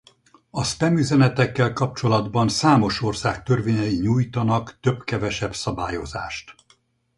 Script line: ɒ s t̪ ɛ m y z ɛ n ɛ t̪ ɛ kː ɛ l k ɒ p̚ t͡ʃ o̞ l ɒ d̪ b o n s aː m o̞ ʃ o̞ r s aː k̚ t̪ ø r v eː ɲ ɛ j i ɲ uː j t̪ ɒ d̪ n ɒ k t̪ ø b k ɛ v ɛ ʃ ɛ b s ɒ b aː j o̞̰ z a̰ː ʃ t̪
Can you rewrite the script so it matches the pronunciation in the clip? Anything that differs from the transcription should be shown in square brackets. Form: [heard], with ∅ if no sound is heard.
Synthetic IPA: ɒ s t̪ ɛ m y z ɛ n ɛ t̪ ɛ kː ɛ l k ɒ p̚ t͡ʃ o̞ l ɒ d̪ b [ɒ] n s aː m o̞ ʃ o̞ r s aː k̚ t̪ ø r v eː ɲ ɛ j i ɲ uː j t̪ ɒ [∅] n ɒ k t̪ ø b k ɛ v ɛ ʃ ɛ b s ɒ b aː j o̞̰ z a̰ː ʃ t̪